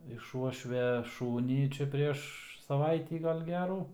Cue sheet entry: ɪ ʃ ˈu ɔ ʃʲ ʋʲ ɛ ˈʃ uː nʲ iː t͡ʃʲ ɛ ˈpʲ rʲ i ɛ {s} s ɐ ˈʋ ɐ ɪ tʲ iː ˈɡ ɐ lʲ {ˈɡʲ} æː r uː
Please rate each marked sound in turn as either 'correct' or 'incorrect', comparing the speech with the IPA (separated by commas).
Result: incorrect, correct